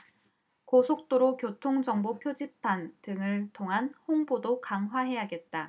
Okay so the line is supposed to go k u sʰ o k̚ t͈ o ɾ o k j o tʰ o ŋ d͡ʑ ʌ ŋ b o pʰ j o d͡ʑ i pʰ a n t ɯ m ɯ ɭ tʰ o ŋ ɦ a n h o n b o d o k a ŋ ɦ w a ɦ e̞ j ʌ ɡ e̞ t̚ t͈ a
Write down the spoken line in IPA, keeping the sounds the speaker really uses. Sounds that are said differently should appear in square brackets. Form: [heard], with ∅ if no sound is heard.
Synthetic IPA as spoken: k [o] sʰ o k̚ t͈ o ɾ o k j o tʰ o ŋ d͡ʑ ʌ ŋ b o pʰ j o d͡ʑ i pʰ a n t ɯ [ŋ] ɯ ɭ tʰ o ŋ ɦ a n h o [ŋ] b o d o k a ŋ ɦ w a ɦ e̞ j [a] ɡ e̞ t̚ t͈ a